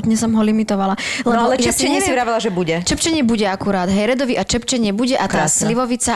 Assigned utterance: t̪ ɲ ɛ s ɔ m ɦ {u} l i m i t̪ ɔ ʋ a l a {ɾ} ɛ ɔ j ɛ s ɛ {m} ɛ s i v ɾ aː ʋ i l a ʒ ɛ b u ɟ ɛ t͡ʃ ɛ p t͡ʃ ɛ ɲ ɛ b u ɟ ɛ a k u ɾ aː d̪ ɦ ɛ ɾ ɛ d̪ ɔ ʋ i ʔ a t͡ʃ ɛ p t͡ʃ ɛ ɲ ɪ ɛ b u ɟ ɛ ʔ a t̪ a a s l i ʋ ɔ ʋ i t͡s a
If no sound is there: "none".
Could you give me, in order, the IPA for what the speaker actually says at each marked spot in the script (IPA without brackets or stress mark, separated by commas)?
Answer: ɔ, l, ɲ